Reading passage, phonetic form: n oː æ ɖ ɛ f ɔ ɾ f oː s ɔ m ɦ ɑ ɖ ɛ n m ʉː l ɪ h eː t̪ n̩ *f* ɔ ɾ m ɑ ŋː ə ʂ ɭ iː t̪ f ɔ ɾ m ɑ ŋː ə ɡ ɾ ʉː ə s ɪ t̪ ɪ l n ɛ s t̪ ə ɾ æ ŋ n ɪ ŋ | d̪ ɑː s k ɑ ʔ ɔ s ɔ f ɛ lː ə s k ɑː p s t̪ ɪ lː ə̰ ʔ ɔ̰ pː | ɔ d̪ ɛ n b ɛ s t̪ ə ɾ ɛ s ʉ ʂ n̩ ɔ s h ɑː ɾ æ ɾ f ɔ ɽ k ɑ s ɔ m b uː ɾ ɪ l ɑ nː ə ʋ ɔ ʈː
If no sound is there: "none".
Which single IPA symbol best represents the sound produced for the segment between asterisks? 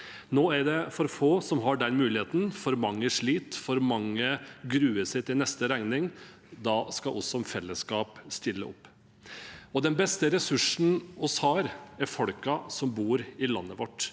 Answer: f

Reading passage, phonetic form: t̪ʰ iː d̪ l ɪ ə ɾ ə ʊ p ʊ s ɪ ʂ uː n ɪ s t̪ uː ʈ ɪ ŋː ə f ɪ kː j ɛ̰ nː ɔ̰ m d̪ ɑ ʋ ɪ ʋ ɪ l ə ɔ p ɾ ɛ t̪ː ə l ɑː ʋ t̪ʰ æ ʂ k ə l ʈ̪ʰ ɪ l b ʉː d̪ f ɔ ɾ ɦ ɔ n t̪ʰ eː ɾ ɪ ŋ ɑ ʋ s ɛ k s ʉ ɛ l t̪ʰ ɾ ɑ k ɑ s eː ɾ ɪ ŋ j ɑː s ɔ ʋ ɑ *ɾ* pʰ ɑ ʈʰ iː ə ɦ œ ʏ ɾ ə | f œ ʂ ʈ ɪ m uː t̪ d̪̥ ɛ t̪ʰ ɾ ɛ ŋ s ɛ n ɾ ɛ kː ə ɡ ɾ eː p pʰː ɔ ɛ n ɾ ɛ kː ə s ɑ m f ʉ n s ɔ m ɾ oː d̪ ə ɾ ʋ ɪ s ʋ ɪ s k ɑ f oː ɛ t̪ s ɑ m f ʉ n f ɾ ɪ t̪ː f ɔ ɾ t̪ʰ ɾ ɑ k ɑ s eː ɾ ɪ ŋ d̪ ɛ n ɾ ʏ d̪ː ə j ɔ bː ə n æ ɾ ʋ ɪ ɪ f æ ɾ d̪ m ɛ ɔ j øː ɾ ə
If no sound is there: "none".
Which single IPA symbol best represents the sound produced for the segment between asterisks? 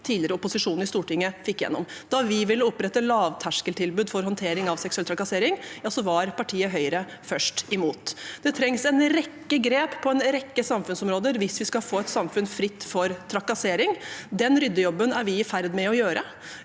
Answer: ɾ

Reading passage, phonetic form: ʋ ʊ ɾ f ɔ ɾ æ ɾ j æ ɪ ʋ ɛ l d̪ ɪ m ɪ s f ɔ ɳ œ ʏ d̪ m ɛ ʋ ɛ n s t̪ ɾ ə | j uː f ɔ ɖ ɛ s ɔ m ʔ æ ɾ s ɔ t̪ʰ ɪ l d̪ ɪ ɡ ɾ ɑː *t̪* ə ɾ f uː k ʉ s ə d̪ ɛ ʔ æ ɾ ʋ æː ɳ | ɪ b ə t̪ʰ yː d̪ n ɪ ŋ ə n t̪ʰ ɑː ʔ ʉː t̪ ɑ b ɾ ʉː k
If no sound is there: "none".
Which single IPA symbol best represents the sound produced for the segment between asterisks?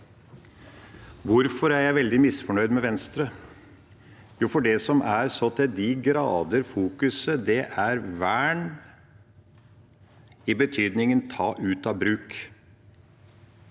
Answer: d̪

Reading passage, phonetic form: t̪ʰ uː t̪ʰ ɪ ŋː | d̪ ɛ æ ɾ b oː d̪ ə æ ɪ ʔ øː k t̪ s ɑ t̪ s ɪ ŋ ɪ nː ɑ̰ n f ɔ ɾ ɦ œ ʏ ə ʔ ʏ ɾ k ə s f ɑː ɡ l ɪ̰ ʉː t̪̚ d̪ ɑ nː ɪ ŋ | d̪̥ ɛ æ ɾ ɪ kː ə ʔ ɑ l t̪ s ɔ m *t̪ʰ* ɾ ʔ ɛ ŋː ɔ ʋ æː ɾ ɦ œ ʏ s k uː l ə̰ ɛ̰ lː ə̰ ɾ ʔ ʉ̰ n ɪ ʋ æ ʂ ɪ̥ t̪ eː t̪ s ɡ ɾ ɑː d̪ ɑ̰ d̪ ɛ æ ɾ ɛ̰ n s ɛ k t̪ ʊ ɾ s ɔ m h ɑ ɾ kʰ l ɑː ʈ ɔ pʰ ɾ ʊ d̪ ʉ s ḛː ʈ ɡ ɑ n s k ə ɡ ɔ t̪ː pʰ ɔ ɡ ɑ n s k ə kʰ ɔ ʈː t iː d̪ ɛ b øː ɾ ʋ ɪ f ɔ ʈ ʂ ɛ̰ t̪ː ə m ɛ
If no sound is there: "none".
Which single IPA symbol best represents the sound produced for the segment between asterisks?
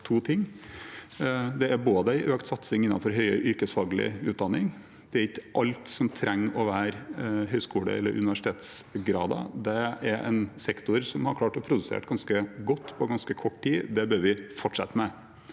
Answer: t̪ʰ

